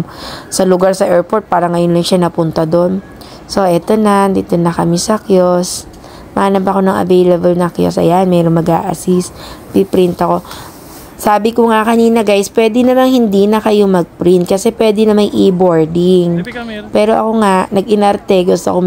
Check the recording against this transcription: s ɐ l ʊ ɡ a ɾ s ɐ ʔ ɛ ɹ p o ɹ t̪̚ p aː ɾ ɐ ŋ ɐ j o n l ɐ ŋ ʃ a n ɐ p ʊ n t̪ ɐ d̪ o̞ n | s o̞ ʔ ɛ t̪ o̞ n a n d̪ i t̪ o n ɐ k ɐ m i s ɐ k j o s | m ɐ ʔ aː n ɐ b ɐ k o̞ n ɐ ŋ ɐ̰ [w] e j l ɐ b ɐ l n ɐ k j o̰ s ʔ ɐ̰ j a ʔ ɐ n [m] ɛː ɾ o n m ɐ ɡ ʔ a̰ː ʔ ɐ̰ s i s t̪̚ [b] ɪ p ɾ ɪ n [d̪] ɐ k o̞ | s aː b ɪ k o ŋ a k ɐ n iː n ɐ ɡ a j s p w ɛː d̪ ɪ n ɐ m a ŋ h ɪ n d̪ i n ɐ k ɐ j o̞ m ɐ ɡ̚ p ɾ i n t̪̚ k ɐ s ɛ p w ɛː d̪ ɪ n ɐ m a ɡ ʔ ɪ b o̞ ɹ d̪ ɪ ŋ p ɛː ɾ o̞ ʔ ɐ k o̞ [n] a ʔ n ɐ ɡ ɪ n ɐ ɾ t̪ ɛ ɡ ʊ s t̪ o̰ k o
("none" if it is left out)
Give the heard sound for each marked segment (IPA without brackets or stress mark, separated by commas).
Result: v, m, p, t̪, ŋ